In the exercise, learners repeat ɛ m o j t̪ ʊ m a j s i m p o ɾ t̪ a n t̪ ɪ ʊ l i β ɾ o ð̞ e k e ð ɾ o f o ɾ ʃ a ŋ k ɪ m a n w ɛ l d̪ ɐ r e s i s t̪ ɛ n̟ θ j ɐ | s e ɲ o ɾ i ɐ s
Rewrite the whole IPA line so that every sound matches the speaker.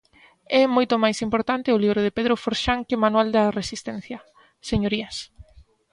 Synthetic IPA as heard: ɛ m o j t̪ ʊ m a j s i m p o ɾ t̪ a n t̪ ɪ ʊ l i β ɾ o ð̞ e p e ð ɾ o f o ɾ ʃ a ŋ k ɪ m a n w a l d̪ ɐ r e s i s t̪ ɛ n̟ θ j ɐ | s e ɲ o ɾ i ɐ s